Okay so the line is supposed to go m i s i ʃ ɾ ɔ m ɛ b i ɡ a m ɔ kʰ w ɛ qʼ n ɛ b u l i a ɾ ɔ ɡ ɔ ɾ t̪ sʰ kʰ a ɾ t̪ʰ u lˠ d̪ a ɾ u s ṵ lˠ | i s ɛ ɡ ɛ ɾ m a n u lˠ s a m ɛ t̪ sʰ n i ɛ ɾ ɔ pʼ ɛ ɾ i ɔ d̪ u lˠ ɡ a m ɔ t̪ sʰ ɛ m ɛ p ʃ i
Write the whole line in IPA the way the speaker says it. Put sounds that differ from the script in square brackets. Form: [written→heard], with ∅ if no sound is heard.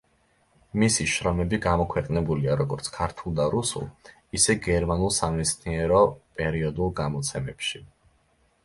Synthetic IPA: m i s i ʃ ɾ ɔ m ɛ b i ɡ a m ɔ kʰ w ɛ qʼ n ɛ b u l i a ɾ ɔ ɡ ɔ ɾ t̪ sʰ kʰ a ɾ t̪ʰ u lˠ d̪ a ɾ u s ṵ lˠ | i s ɛ ɡ ɛ ɾ m a n u lˠ s a m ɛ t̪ sʰ n i ɛ ɾ ɔ pʼ ɛ ɾ i ɔ d̪ u lˠ ɡ a m ɔ t̪ sʰ ɛ m ɛ p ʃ i